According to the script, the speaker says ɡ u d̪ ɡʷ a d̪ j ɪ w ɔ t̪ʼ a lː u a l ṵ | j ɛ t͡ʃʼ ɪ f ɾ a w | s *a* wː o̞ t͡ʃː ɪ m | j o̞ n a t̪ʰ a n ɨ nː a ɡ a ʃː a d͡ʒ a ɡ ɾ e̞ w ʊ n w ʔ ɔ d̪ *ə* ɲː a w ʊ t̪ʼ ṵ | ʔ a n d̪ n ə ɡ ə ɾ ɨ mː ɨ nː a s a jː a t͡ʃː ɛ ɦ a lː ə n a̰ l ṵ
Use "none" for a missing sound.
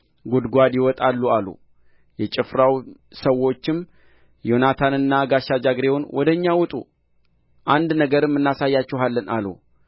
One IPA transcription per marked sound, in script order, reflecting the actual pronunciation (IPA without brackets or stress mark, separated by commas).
ə, ə